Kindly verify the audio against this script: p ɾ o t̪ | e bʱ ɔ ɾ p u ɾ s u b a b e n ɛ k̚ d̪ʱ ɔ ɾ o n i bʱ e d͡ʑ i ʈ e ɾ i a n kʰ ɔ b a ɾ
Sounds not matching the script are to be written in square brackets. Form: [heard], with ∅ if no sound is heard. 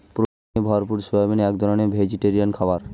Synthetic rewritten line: p ɾ o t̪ | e bʱ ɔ ɾ p u ɾ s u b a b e n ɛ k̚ d̪ʱ ɔ ɾ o n [e] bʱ e d͡ʑ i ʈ e ɾ i a n kʰ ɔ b a ɾ